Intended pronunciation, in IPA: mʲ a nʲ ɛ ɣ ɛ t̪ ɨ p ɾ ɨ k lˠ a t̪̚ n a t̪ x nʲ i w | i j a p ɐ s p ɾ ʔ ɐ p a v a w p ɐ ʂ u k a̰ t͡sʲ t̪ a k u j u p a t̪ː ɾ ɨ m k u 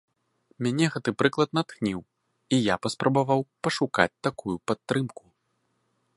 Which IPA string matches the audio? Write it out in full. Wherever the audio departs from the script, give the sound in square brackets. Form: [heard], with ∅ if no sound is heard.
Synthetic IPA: mʲ a nʲ ɛ ɣ ɛ t̪ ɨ p ɾ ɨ k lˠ [ɐ] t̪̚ n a t̪ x nʲ i w | i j a p ɐ s p ɾ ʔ ɐ [b] a v a w p ɐ ʂ u k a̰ t͡sʲ t̪ a k u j u p a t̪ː ɾ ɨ m k u